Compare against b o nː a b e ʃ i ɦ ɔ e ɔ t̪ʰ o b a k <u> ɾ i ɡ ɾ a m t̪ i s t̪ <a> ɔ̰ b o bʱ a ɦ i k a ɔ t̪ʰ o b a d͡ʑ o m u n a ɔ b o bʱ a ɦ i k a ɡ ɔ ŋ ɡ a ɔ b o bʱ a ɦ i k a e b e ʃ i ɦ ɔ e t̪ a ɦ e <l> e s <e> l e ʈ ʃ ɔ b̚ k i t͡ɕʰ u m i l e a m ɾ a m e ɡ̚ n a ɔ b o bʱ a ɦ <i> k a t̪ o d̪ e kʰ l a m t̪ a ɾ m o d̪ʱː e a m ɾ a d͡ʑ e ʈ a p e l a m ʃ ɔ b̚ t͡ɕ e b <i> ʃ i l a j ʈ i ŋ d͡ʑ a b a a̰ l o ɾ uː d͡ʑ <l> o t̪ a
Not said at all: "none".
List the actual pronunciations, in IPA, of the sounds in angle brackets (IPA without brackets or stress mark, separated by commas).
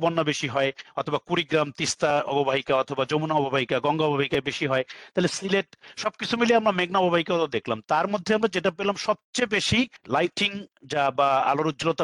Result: u, a, l, i, i, e, l